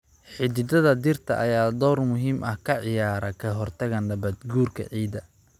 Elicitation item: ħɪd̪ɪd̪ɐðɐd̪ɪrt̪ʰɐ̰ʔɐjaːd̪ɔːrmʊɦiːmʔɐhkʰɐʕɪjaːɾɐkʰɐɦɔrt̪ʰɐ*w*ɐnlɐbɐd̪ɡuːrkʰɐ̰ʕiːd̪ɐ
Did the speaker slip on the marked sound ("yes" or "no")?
yes